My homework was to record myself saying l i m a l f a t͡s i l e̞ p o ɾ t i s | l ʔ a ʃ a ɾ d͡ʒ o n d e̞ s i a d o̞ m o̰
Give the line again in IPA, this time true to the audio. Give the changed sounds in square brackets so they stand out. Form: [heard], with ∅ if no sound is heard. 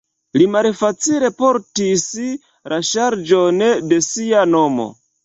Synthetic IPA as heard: l i m a l f a t͡s i l e̞ p o ɾ t i s | l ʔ a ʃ a ɾ d͡ʒ o n d e̞ s i a [n] o̞ m o̰